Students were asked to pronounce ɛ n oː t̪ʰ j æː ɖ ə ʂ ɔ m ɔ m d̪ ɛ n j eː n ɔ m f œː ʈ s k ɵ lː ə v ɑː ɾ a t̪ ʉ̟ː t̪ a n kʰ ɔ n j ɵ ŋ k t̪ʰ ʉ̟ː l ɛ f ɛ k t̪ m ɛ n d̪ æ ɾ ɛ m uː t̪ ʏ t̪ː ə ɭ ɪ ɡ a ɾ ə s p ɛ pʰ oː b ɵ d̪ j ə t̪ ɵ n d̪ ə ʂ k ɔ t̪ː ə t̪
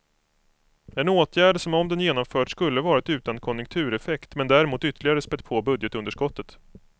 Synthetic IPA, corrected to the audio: ɛ n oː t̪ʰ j æː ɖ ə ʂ ɔ m ɔ m d̪ ɛ n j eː n ɔ m f œː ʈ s k ɵ lː ə v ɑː ɾ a t̪ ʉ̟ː t̪ a n kʰ ɔ n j ɵ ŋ k t̪ʰ ʉ̟ː ɾ ɛ f ɛ k t̪ m ɛ n d̪ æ ɾ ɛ m uː t̪ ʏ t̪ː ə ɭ ɪ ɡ a ɾ ə s p ɛ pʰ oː b ɵ d̪ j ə t̪ ɵ n d̪ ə ʂ k ɔ t̪ː ə t̪

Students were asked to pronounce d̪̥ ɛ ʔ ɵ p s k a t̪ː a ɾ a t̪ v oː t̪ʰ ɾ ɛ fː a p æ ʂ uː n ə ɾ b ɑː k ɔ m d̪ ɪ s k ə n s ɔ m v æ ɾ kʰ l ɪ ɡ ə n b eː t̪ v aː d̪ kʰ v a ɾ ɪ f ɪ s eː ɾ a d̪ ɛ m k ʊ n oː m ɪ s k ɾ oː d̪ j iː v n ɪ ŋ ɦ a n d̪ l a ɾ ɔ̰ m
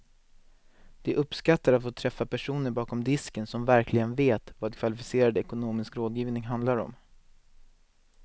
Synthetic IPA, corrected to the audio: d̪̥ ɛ ʔ ɵ p s k a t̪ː a ɾ a t̪ f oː t̪ʰ ɾ ɛ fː a p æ ʂ uː n ə ɾ b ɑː k ɔ m d̪ ɪ s k ə n s ɔ m v æ ɾ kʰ l ɪ ɡ ə n v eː t̪ v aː d̪ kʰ v a l ɪ f ɪ s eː ɾ a d̪ ɛ k ʊ n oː m ɪ s k ɾ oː d̪ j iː v n ɪ ŋ ɦ a n d̪ l a ɾ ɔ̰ m

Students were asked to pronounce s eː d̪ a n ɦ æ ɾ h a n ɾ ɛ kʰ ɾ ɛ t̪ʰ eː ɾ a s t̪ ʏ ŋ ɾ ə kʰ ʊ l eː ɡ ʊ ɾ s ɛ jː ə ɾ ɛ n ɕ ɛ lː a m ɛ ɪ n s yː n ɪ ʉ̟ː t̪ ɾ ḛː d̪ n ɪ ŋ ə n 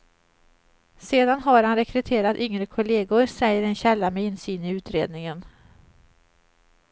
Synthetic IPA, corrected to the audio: s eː d̪ a n ɦ a ɾ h a n ɾ ɛ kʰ ɾ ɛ t̪ʰ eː ɾ a t̪ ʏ ŋ ɾ ə kʰ ʊ l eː ɡ ʊ ɾ s ɛ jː ə ɾ ɛ n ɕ ɛ lː a m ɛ ɪ n s yː n ɪ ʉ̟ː t̪ ɾ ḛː d̪ n ɪ ŋ ə n

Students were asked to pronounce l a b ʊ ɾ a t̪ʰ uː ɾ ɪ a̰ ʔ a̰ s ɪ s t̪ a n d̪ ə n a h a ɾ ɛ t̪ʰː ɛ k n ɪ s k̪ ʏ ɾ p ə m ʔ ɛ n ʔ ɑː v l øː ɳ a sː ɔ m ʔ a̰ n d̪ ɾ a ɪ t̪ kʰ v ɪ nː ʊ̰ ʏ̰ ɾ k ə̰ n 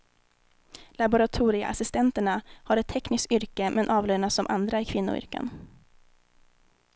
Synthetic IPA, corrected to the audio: l a b ʊ ɾ a t̪ʰ uː ɾ ɪ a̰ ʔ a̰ s ɪ s t̪ ɛ n t̪ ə ɳ a h a ɾ ɛ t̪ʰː ɛ k n ɪ s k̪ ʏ ɾ k ə m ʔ ɛ n ʔ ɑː v l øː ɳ a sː ɔ m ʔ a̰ n d̪ ɾ a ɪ kʰ v ɪ nː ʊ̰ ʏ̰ ɾ k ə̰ n

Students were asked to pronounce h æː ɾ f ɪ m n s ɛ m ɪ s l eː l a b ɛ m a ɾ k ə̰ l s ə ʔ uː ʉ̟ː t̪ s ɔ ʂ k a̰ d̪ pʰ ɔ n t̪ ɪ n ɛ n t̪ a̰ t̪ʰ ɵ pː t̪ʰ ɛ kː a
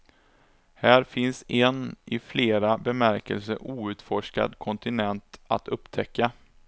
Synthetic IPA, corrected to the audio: h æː ɾ f ɪ n s ɛ n ɪ f l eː ɾ a b ɛ m æ ɾ k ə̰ l s ə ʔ uː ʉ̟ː t̪ f ɔ ʂ k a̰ d̪ kʰ ɔ n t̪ ɪ n ɛ n t̪ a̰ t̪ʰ ɵ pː t̪ʰ ɛ kː a

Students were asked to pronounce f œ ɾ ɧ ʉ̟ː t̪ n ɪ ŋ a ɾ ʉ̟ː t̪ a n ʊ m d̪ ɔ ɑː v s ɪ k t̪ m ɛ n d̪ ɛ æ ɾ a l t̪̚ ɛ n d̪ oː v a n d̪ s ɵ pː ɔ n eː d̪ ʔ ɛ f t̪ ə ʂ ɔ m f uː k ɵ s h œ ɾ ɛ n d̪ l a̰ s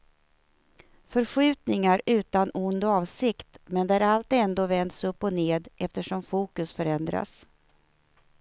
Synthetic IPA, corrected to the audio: f œ ɾ ɧ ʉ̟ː t̪ n ɪ ŋ a ɾ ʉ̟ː t̪ a n ʊ n d̪ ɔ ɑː v s ɪ k t̪ m ɛ n d̪ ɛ æ ɾ a l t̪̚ ɛ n d̪ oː v ɛ n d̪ s ɵ pː ɔ n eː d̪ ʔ ɛ f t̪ ə ʂ ɔ m f uː k ɵ s f œ ɾ ɛ n d̪ ɾ a̰ s

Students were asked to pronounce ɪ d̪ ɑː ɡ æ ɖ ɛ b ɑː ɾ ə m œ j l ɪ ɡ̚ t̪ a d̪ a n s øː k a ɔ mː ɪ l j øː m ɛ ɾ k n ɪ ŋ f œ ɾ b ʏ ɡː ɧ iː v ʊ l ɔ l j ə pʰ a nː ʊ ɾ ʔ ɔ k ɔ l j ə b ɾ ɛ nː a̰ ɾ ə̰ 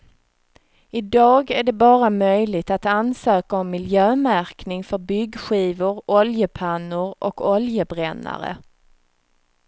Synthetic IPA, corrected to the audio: ɪ d̪ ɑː ɡ æ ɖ ɛ b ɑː ɾ a m œ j l ɪ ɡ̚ t̪ a t̪ a n s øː k a ɔ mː ɪ l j øː m æ ɾ k n ɪ ŋ f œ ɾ b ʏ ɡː ɧ iː v ʊ ɾ ɔ l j ə pʰ a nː ʊ ɾ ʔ ɔ k ɔ l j ə b ɾ ɛ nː a̰ ɾ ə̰

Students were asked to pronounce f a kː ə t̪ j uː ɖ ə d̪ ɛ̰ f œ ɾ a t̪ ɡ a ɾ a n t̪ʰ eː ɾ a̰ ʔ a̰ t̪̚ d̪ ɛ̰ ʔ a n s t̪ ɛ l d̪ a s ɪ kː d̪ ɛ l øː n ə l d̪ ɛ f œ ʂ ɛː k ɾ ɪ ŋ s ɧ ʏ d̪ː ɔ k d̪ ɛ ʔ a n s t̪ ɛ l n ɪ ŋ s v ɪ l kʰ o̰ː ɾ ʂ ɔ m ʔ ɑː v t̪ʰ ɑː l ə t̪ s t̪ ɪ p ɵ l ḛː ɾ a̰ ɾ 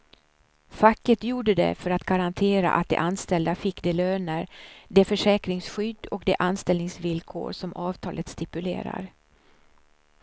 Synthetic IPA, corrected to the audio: f a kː ə t̪ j uː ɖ ə d̪ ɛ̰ f œ ɾ a t̪ ɡ a ɾ a n t̪ʰ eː ɾ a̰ ʔ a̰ t̪̚ d̪ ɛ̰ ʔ a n s t̪ ɛ l d̪ a f ɪ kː d̪ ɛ l øː n ə ɾ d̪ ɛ f œ ʂ ɛː k ɾ ɪ ŋ s ɧ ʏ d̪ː ɔ k d̪ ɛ ʔ a n s t̪ ɛ l n ɪ ŋ s v ɪ l kʰ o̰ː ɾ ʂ ɔ m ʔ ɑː v t̪ʰ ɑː l ə t̪ s t̪ ɪ p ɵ l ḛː ɾ a̰ ɾ

